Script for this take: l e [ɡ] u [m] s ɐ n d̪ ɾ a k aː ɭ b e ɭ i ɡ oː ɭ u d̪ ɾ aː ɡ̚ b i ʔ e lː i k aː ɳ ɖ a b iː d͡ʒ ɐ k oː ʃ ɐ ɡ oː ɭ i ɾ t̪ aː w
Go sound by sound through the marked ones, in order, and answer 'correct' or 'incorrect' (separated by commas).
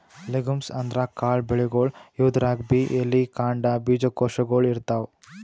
correct, correct